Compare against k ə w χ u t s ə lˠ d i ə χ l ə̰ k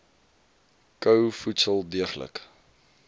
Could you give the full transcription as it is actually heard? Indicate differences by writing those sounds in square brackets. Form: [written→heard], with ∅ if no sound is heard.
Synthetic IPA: k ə w [χ→f] u t s ə lˠ d i ə χ l ə̰ k